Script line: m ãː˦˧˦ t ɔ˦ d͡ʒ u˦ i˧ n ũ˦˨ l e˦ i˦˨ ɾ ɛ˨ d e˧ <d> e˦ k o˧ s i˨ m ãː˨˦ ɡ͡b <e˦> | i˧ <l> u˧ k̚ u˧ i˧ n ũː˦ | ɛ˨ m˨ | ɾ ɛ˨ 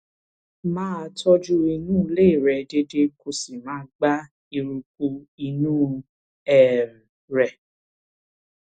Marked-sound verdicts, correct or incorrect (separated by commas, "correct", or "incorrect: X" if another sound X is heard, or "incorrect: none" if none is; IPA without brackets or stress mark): correct, incorrect: a˦, incorrect: ɾ